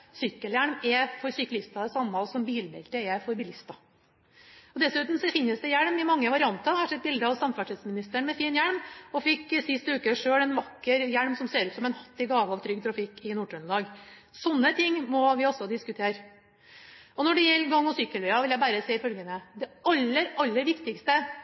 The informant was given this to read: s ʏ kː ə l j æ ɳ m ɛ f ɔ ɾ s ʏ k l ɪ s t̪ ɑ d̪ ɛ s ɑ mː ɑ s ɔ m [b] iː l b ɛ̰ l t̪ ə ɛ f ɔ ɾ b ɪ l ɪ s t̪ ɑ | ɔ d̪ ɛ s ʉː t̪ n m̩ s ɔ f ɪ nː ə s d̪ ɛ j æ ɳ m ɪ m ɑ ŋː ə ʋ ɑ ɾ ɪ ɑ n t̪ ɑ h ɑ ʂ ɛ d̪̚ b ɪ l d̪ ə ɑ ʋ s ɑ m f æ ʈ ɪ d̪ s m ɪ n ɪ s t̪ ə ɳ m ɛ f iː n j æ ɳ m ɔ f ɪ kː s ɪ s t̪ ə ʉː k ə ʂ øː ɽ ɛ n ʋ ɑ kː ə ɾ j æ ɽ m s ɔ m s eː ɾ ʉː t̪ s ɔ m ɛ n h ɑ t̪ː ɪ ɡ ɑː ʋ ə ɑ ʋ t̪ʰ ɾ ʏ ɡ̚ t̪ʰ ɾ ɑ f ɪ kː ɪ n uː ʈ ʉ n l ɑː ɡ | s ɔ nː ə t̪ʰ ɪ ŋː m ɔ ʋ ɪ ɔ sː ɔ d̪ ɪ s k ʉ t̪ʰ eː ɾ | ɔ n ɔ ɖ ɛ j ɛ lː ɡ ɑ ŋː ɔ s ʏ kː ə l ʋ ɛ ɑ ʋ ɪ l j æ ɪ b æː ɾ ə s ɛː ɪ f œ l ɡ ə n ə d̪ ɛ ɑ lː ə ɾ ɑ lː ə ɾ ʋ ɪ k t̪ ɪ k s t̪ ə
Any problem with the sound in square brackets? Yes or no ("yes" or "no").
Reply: no